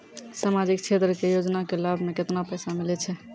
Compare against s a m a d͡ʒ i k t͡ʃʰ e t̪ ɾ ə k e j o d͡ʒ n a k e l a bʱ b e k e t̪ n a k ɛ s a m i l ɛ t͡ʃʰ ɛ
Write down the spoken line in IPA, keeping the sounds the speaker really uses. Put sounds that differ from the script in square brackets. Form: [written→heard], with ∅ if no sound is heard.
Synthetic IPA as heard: s a m a d͡ʒ i k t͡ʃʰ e t̪ ɾ ə k e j o d͡ʒ n a k e l a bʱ [b→m] e k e t̪ n a [k→p] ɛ s a m i l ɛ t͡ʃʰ ɛ